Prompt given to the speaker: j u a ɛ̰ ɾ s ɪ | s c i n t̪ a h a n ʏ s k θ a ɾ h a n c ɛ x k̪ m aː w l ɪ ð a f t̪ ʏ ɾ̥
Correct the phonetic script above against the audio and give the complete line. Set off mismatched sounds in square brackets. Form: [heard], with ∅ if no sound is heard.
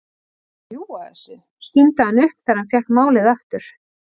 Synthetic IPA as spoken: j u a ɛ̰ [∅] s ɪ | s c i n t̪ a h a n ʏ [h] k θ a ɾ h a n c ɛ [h] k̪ m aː w l ɪ ð a f t̪ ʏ ɾ̥